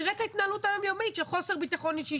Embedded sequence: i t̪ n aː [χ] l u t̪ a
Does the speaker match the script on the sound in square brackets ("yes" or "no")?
no